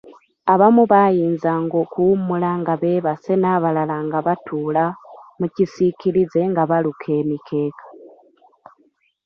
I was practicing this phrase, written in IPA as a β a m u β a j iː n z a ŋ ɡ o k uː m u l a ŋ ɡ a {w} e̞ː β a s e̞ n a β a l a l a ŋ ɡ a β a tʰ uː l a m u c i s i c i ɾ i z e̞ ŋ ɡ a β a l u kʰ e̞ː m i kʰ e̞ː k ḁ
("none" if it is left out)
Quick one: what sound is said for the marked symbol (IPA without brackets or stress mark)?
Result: β